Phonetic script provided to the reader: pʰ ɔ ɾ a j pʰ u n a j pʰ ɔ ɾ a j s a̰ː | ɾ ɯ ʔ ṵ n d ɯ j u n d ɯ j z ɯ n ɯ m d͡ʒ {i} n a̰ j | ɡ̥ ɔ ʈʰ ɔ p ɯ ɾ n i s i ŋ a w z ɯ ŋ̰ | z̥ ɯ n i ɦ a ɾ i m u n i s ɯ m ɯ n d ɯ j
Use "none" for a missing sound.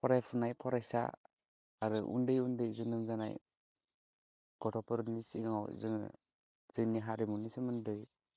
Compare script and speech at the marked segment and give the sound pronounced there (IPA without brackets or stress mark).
a